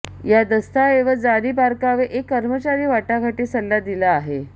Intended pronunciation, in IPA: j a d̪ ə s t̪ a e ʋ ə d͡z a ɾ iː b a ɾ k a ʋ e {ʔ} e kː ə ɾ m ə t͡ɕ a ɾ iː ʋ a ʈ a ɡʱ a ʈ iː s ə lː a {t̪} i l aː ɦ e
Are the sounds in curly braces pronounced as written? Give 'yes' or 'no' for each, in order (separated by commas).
yes, no